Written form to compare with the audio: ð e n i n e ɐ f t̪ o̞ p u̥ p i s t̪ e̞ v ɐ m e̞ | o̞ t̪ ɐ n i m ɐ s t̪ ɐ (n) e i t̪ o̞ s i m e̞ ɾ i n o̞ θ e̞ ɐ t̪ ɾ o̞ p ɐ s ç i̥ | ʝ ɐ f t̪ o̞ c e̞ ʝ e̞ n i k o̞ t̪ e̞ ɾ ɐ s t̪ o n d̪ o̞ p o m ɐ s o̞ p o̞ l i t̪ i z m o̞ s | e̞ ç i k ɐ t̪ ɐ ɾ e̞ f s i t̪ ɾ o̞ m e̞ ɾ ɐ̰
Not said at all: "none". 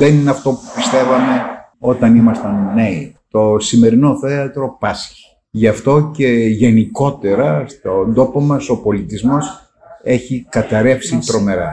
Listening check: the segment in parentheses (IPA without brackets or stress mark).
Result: nː